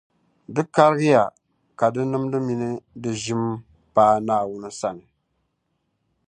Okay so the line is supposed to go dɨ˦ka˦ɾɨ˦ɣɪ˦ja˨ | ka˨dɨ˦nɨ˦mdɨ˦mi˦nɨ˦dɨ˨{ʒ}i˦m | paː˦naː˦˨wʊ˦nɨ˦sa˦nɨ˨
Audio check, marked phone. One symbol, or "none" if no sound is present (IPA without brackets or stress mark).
ʒ